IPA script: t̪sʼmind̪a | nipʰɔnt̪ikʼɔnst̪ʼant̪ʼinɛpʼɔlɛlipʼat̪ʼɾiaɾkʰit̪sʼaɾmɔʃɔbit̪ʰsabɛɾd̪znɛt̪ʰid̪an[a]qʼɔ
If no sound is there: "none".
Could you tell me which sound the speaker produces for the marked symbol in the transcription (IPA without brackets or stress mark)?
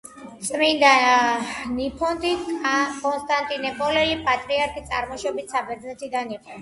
i